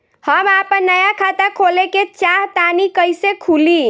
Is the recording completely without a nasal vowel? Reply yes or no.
yes